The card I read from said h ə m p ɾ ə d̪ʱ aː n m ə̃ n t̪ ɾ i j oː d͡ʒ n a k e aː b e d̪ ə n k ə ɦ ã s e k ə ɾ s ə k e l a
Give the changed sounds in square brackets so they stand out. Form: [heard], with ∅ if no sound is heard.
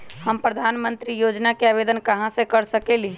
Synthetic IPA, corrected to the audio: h ə m p ɾ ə d̪ʱ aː n m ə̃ n t̪ ɾ i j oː d͡ʒ n a k e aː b e d̪ ə n k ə ɦ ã s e k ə ɾ s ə k e l [i]

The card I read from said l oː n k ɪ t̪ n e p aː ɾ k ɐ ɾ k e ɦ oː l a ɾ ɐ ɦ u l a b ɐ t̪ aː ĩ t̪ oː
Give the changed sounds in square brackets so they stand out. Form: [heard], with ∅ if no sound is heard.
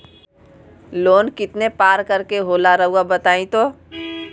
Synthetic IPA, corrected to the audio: l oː n k ɪ t̪ n e p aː ɾ k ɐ ɾ k e ɦ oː l a ɾ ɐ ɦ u [∅] a b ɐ t̪ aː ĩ t̪ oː

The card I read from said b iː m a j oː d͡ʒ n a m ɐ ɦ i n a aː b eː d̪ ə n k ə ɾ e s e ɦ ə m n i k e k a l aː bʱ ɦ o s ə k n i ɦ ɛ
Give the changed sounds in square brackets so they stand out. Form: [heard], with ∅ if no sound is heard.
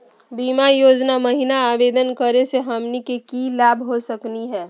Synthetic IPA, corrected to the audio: b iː m a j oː d͡ʒ n a m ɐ ɦ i n a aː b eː d̪ ə n k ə ɾ e s e ɦ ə m n i k e k [i] l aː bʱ ɦ o s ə k n i ɦ [ɛː]

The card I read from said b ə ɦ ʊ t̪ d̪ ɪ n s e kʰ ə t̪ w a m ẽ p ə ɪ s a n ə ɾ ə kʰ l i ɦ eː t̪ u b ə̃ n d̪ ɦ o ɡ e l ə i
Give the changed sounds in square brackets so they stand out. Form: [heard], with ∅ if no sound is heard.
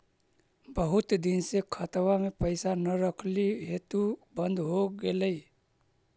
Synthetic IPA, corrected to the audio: b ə ɦ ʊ t̪ d̪ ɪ n s e kʰ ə t̪ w a m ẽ p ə ɪ s a n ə ɾ ə kʰ l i ɦ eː t̪ u b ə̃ n d̪ ɦ o ɡ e l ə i

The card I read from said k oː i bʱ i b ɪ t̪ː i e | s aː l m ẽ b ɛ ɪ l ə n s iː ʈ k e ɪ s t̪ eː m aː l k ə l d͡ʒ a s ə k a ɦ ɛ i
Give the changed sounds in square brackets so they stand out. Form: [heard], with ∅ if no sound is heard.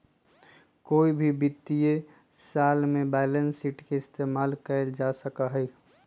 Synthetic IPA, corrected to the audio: k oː i bʱ i b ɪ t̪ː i e | s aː l m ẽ b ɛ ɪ l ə n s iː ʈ k e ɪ s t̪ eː m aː l k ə l d͡ʒ a s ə k a ɦ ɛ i

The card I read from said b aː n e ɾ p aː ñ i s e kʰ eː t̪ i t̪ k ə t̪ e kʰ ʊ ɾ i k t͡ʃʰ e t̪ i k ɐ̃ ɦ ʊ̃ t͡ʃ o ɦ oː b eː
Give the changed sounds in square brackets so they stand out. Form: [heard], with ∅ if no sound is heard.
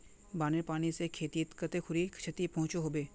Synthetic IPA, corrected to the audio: b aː n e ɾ p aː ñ i s e kʰ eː t̪ i t̪ k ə t̪ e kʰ ʊ ɾ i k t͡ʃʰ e t̪ i [p] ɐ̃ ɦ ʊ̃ t͡ʃ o ɦ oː b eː

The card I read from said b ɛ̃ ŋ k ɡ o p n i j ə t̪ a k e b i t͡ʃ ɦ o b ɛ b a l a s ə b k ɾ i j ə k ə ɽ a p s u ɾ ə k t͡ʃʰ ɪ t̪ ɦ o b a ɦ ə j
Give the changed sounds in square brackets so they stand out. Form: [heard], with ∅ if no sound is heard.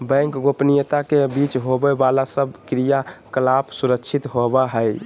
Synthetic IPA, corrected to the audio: b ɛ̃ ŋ k ɡ o p n i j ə t̪ a k e b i t͡ʃ ɦ o b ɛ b a l a s ə b k ɾ i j [a] k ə [l] a p s u ɾ ə k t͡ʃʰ [i] t̪ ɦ o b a ɦ ə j

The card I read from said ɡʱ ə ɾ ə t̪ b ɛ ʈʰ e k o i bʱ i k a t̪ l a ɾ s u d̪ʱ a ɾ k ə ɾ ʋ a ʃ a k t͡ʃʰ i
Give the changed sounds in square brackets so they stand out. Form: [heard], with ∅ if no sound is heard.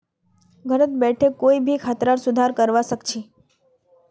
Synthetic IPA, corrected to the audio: ɡʱ ə ɾ ə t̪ b ɛ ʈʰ e k o i bʱ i [kʰ] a t̪ [ɾ] a ɾ s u d̪ʱ a ɾ k ə ɾ ʋ a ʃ [ə] k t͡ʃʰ i

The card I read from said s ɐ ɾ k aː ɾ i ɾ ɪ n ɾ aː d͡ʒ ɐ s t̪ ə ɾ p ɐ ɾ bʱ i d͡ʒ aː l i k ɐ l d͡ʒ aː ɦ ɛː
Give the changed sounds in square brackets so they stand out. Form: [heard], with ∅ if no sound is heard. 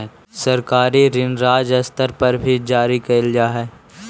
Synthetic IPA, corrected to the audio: s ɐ ɾ k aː ɾ i ɾ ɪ n ɾ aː d͡ʒ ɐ s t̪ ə ɾ p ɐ ɾ bʱ i d͡ʒ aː [ɾ] i k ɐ l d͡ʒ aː ɦ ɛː

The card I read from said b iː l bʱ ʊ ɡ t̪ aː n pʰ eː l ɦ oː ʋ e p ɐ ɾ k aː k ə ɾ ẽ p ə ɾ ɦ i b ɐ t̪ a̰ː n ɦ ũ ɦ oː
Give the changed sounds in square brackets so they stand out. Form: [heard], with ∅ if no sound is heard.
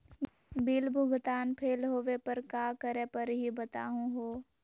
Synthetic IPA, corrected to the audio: b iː l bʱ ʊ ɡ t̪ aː n pʰ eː l ɦ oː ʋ e p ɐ ɾ k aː k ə ɾ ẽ p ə ɾ ɦ i b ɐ t̪ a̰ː [∅] ɦ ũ ɦ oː

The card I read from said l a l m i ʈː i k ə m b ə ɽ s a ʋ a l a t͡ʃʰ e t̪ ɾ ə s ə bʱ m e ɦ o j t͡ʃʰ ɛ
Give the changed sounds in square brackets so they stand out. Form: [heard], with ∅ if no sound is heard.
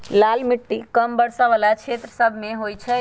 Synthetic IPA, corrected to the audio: l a l m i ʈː i k ə m b ə ɽ s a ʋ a l a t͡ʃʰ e t̪ ɾ ə s ə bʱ m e ɦ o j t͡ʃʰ ɛ

